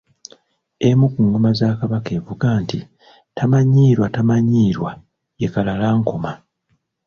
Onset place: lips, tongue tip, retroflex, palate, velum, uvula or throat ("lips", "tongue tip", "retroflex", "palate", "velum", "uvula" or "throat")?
lips